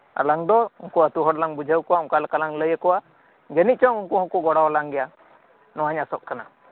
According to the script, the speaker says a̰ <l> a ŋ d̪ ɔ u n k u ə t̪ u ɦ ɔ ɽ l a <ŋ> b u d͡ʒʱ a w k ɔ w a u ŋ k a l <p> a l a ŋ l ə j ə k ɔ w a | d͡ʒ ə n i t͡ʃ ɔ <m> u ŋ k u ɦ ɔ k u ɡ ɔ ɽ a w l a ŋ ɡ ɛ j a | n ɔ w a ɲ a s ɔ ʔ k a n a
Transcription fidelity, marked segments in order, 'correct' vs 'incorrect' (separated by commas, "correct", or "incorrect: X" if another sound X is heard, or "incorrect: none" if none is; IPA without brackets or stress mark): correct, correct, incorrect: k, incorrect: ŋ